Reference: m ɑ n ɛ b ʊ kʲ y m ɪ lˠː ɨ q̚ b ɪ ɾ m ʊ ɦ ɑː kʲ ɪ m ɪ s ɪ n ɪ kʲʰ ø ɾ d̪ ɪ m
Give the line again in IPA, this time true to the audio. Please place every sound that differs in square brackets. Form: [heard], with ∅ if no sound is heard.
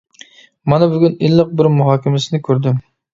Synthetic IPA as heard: m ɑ n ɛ b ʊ [ɡʲ] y [n] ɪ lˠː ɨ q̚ b ɪ ɾ m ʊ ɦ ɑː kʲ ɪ m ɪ s ɪ n ɪ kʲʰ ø ɾ d̪ ɪ m

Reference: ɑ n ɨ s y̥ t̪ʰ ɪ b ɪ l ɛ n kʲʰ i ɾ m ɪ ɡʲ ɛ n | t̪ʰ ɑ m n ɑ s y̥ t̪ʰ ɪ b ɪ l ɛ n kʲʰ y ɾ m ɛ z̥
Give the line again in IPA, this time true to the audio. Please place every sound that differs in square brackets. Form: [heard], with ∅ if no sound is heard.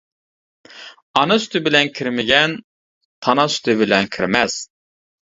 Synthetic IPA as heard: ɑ n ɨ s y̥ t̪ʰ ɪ b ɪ l ɛ n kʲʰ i ɾ m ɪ ɡʲ ɛ n | t̪ʰ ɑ [∅] n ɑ s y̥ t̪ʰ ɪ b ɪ l ɛ n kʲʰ [i] ɾ m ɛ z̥

